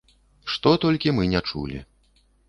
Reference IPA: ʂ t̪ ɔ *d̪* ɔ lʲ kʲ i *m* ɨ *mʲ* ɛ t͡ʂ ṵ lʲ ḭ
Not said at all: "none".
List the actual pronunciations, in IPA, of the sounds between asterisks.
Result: t̪, m, nʲ

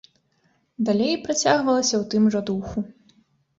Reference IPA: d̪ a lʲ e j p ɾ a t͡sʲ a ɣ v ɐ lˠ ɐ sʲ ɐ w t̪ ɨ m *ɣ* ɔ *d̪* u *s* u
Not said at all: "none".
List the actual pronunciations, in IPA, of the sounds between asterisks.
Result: ʐ, d̪, x

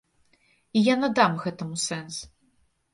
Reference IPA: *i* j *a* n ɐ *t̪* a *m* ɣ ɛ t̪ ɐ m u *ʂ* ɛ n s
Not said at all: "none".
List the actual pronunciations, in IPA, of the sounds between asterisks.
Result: i, a, d̪, m, s

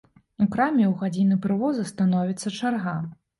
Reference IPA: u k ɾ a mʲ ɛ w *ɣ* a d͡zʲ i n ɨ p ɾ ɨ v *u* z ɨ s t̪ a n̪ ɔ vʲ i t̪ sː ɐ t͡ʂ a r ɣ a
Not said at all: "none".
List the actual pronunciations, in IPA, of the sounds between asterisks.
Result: ɣ, ɔ

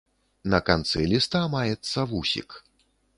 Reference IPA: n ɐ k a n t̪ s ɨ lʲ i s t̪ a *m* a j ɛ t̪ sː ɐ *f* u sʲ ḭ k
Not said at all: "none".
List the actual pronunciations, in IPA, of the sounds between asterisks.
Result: m, v

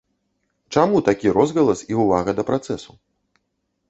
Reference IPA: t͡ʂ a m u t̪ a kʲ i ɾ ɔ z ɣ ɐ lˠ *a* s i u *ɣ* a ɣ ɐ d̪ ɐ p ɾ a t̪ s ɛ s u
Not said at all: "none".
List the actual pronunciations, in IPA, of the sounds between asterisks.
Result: ɐ, v

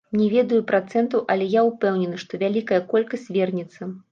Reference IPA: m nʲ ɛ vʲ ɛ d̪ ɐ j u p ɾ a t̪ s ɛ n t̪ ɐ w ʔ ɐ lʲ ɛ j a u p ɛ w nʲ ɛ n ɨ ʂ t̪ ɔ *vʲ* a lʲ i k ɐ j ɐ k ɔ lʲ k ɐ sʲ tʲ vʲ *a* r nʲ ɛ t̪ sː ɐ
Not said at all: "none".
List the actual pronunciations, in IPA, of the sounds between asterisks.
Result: vʲ, ɛ

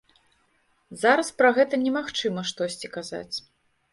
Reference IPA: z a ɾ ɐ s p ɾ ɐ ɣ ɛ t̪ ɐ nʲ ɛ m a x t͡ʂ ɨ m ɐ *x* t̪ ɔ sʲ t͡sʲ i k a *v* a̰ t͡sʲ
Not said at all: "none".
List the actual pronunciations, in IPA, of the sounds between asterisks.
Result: ʂ, z

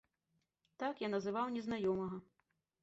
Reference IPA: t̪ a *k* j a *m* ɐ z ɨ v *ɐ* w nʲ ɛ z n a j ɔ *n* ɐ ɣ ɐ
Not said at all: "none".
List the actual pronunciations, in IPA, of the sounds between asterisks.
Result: k, n, a, m

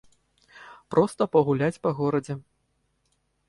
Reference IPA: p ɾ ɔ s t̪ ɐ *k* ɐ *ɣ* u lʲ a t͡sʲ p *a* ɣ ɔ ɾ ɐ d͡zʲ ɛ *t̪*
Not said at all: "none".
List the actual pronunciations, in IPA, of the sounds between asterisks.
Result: p, ɣ, ɐ, none

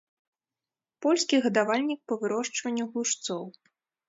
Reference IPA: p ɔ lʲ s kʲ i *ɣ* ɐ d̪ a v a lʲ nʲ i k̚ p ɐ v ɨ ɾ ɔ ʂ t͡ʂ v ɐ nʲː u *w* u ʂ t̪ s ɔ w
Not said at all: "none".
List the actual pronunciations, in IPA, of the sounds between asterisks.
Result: ɣ, ɣ

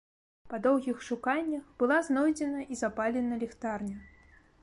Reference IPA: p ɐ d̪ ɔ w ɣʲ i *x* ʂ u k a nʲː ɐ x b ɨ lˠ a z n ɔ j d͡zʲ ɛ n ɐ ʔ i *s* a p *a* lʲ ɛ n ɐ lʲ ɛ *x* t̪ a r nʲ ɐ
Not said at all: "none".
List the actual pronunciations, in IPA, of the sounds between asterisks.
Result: x, z, a, x

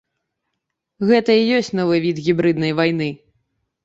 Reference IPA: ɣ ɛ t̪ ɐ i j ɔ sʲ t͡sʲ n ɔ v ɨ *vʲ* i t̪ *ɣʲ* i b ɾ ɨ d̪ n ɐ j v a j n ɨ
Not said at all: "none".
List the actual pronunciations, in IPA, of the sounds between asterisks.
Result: vʲ, ɣʲ

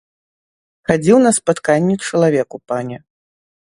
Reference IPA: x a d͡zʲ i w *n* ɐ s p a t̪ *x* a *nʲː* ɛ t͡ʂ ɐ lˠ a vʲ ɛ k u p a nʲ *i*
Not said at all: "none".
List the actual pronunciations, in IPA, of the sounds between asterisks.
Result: n, k, nʲː, ɛ

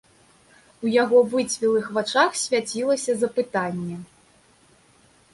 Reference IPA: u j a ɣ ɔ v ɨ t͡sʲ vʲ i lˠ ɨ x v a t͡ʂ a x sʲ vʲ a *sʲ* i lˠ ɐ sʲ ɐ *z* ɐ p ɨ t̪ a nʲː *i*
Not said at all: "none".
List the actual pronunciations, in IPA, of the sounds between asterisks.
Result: t͡sʲ, z, ɛ

